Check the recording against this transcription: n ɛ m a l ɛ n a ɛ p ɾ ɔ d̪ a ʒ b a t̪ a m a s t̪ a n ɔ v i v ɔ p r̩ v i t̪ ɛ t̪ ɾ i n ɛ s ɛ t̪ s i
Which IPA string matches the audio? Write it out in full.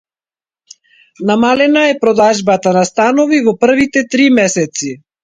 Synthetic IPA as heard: n a m a l ɛ n a ɛ p ɾ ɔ d̪ a ʒ b a t̪ a n a s t̪ a n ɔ v i v ɔ p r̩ v i t̪ ɛ t̪ ɾ i m ɛ s ɛ t̪ s i

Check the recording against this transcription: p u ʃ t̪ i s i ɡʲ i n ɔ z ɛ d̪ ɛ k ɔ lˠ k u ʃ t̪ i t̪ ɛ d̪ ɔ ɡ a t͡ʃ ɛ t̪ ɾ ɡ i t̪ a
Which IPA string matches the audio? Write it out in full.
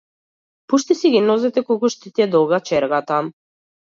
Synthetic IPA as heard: p u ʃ t̪ i s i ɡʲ i n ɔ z ɛ t̪ ɛ k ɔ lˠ k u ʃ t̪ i t̪ ɛ d̪ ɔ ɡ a t͡ʃ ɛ ɾ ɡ a t̪ a

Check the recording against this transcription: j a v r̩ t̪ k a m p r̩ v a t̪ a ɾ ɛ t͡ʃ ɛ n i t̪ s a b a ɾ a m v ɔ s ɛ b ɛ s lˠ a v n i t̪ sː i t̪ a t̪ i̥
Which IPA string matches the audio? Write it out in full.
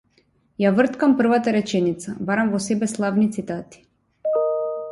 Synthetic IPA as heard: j a v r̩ t̪ k a m p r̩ v a t̪ a ɾ ɛ t͡ʃ ɛ n i t̪ s a b a ɾ a m v ɔ s ɛ b ɛ s lˠ a v n i t̪ s i t̪ a t̪ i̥

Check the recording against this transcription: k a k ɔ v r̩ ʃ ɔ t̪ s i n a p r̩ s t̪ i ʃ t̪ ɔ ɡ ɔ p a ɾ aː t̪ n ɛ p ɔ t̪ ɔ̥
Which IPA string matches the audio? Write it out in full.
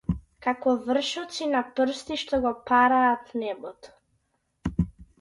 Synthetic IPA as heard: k a k ɔ v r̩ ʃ ɔ t̪ s i n a p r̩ s t̪ i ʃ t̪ ɔ ɡ ɔ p a ɾ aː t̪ n ɛ b ɔ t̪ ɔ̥

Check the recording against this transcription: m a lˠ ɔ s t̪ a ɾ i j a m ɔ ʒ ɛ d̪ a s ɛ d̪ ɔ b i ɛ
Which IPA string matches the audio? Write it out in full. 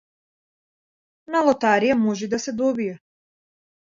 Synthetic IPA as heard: n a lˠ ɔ t̪ a ɾ i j a m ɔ ʒ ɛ d̪ a s ɛ d̪ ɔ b i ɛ

